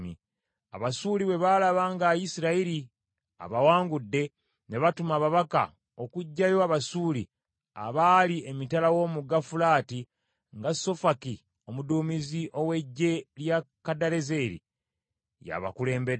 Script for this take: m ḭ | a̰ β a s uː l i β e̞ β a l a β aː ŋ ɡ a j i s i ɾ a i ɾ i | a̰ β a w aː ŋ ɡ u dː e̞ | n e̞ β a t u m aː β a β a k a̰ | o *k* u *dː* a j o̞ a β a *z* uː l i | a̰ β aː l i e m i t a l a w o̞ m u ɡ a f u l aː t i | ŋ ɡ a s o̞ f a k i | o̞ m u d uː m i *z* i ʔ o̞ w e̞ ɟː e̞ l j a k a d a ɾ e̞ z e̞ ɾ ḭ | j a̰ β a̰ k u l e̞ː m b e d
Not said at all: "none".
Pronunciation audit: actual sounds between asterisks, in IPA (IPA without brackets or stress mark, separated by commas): k, ɟː, s, z